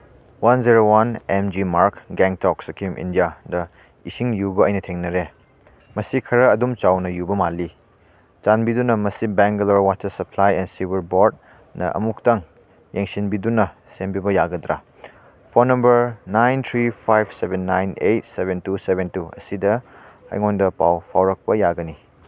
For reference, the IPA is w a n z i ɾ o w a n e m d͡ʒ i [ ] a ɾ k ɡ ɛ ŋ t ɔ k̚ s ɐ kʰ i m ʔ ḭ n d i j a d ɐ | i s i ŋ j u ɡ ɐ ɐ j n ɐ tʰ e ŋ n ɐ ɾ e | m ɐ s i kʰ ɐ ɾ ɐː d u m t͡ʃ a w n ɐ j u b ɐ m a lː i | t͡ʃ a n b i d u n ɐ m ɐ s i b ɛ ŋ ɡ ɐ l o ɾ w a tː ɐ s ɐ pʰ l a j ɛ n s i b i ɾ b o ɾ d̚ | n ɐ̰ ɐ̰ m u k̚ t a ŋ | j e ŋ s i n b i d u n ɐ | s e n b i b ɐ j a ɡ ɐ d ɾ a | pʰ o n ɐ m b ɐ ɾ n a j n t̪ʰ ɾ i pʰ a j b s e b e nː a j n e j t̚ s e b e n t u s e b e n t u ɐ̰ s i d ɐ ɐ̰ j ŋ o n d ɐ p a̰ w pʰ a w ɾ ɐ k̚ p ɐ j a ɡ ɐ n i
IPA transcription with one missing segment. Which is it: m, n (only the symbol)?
m